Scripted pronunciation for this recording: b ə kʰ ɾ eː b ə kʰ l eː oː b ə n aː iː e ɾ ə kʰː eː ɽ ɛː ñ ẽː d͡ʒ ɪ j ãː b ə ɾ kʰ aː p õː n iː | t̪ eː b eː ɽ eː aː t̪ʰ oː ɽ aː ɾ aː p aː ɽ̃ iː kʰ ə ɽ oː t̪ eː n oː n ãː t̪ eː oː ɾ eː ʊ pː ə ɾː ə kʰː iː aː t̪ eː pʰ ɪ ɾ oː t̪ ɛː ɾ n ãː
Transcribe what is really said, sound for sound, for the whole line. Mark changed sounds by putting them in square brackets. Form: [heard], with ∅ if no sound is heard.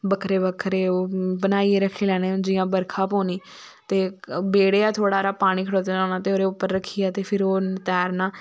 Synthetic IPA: b ə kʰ ɾ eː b ə kʰ [ɾ] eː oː b ə n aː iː e ɾ ə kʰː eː [l] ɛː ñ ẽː d͡ʒ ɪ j ãː b ə ɾ kʰ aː p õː n iː | t̪ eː b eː ɽ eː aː t̪ʰ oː ɽ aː ɾ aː p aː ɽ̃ iː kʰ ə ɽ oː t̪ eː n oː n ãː t̪ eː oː ɾ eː ʊ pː ə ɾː ə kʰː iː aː t̪ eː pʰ ɪ ɾ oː t̪ ɛː ɾ n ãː